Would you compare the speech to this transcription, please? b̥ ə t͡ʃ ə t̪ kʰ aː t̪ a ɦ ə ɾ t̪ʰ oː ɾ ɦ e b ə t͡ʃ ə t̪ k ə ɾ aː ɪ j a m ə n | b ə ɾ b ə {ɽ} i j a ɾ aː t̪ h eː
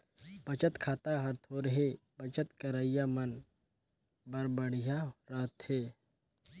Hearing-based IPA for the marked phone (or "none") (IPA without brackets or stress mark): ɽ